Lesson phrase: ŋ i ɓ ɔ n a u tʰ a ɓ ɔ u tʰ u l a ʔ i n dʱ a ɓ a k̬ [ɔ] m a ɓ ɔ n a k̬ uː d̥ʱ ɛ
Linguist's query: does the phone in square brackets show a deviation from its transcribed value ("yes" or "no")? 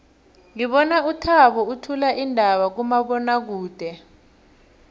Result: yes